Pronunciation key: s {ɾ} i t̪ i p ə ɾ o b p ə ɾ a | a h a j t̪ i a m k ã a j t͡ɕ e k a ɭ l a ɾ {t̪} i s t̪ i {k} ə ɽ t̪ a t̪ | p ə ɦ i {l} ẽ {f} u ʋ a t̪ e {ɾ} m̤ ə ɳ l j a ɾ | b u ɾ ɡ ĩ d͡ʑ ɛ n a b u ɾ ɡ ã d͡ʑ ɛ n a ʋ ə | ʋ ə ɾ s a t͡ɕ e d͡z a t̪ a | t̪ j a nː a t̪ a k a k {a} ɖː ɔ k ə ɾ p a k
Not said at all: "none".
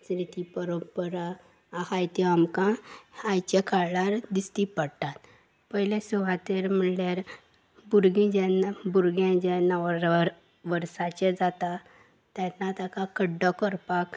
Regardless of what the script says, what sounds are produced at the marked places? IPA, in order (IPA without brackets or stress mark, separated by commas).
ɾ, d̪, p, l, s, ɾ, ə